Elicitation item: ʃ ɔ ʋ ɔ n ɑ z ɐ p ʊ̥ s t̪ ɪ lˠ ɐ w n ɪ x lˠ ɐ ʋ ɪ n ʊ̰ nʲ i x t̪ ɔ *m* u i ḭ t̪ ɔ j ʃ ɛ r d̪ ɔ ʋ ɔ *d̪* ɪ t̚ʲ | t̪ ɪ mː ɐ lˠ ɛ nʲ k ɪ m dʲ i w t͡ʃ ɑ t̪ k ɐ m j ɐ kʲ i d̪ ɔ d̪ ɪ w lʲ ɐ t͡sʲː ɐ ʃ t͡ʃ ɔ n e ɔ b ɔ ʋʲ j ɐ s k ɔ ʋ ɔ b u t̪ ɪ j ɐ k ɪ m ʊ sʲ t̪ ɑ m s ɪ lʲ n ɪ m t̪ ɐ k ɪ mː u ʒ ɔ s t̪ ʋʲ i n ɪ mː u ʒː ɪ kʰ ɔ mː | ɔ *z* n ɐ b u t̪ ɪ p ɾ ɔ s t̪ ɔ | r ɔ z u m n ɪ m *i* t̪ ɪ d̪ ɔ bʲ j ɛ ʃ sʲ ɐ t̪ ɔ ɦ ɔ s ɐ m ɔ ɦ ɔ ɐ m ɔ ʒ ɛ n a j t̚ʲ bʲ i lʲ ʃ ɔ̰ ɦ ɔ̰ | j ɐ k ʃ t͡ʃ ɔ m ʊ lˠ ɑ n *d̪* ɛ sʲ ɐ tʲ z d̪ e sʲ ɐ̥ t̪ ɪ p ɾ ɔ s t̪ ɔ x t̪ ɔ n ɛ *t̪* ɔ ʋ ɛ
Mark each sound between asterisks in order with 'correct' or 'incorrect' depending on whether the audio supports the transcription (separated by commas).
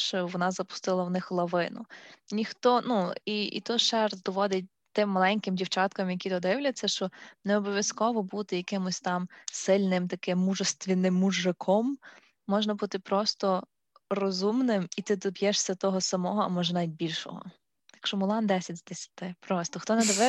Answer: incorrect, correct, incorrect, correct, correct, incorrect